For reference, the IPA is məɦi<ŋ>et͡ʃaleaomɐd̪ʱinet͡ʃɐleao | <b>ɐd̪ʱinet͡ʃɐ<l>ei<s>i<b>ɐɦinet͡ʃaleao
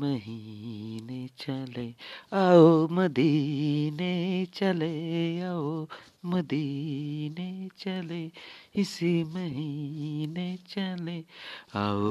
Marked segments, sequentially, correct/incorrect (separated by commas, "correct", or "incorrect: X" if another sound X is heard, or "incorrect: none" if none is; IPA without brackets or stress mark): incorrect: n, incorrect: m, correct, correct, incorrect: m